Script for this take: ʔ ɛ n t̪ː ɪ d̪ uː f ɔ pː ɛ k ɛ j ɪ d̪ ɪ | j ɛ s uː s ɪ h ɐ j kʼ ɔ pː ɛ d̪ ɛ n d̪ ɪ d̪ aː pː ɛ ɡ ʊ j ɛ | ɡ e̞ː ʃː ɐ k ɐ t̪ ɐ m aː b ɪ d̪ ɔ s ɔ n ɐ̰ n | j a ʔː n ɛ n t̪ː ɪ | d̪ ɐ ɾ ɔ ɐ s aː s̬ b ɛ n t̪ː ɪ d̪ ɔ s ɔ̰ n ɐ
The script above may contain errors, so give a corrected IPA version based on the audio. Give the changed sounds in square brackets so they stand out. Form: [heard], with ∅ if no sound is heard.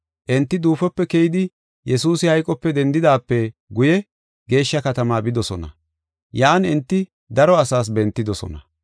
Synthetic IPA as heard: ʔ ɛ n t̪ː ɪ d̪ uː f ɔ pː ɛ k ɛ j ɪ d̪ ɪ | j ɛ s uː s ɪ h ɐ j kʼ ɔ pː ɛ d̪ ɛ n d̪ ɪ d̪ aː pː ɛ ɡ ʊ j ɛ | ɡ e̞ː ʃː ɐ k ɐ t̪ ɐ m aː b ɪ d̪ ɔ s ɔ n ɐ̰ [∅] | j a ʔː n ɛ n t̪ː ɪ | d̪ ɐ ɾ ɔ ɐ s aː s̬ b ɛ n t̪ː ɪ d̪ ɔ s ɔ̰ n ɐ